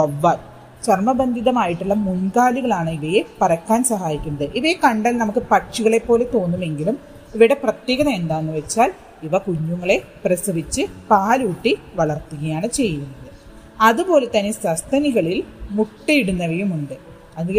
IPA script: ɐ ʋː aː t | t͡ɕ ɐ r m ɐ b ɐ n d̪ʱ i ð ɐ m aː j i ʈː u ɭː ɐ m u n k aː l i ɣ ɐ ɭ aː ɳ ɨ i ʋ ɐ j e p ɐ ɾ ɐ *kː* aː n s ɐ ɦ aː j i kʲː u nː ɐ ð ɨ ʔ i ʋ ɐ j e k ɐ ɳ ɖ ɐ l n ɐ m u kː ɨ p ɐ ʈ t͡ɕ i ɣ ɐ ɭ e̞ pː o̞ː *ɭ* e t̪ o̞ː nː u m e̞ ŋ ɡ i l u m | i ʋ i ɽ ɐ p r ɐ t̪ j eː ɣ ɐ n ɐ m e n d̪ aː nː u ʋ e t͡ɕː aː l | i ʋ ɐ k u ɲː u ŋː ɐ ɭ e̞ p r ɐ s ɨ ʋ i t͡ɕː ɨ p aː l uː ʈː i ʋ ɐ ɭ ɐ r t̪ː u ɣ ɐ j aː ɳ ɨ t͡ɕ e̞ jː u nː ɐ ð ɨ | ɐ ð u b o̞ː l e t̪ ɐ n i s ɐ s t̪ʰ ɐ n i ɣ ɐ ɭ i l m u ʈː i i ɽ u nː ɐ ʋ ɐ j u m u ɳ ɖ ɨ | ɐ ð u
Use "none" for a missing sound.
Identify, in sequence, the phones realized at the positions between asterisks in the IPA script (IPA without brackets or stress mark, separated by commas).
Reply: kː, l